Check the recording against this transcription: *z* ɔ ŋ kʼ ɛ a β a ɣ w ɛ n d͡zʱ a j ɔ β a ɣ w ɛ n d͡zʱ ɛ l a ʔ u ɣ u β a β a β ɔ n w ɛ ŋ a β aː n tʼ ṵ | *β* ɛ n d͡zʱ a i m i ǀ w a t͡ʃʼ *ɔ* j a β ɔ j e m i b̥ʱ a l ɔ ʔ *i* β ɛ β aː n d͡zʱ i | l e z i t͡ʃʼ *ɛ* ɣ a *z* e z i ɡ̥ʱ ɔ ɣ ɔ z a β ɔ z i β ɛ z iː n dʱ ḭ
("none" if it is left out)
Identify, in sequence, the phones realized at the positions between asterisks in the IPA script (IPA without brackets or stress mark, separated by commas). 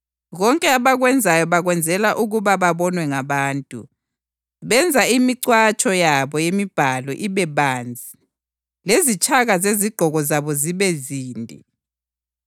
ɣ, β, ɔ, i, a, z